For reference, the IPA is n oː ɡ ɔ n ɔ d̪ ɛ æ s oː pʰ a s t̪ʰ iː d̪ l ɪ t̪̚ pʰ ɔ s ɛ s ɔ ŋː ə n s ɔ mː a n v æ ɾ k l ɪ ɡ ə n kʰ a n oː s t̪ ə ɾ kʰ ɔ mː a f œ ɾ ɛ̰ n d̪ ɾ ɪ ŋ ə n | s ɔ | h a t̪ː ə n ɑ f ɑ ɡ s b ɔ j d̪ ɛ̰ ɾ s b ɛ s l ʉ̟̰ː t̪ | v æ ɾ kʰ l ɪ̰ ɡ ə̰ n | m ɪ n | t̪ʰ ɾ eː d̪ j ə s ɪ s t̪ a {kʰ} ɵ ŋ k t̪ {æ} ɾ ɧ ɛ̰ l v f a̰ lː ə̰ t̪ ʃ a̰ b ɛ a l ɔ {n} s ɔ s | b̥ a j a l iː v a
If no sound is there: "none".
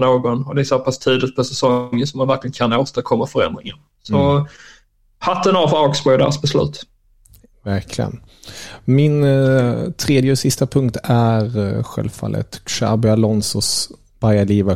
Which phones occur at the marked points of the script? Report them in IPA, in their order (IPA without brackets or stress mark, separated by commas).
pʰ, æ, n